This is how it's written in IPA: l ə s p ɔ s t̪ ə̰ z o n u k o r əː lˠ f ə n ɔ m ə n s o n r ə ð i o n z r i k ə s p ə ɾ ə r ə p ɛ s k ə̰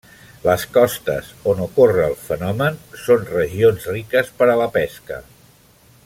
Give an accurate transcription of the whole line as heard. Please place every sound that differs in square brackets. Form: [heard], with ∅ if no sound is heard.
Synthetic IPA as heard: l ə s [k] ɔ s t̪ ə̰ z o n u k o r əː lˠ f ə n ɔ m ə n s o n r ə [ʒ] i o n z r i k ə s p ə ɾ ə [l] ə p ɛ s k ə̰